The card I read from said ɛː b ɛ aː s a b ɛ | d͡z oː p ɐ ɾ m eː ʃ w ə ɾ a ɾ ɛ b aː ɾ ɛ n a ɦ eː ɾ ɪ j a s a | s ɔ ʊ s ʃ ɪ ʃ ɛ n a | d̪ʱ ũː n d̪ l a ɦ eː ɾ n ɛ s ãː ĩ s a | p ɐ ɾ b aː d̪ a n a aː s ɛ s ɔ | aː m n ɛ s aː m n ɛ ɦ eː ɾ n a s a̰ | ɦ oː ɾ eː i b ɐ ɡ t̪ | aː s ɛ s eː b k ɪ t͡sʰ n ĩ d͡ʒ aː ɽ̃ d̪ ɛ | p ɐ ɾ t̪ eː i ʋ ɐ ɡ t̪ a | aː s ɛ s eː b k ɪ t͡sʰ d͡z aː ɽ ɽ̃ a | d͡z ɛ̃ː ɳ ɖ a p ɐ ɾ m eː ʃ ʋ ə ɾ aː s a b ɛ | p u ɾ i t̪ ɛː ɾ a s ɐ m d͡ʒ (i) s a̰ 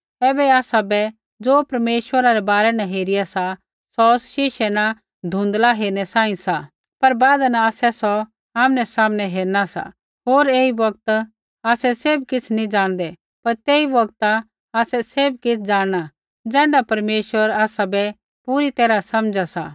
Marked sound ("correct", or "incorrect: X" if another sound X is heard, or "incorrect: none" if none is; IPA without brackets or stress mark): incorrect: a